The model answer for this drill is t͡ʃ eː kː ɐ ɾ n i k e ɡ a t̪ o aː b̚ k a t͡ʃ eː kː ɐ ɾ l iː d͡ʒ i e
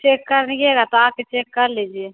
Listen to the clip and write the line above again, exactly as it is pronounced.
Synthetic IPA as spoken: t͡ʃ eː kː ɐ ɾ n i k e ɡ a t̪ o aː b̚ k e t͡ʃ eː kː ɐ ɾ l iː d͡ʒ i e